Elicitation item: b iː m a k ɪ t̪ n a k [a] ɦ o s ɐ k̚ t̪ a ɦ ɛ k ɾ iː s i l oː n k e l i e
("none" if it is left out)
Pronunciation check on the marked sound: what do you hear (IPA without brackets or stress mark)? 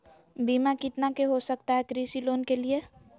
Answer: e